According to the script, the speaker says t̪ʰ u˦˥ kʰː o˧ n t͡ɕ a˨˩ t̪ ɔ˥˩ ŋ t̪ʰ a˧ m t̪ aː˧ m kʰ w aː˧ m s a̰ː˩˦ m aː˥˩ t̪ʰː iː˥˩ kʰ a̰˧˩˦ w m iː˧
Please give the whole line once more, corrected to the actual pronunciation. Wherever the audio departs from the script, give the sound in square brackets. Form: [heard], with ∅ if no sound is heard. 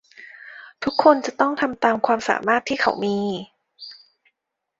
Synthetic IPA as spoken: t̪ʰ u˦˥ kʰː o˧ n t͡ɕ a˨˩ t̪ ɔ˥˩ ŋ t̪ʰ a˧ m t̪ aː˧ m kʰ w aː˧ m s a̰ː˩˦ m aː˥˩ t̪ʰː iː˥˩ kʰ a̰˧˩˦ w m iː˧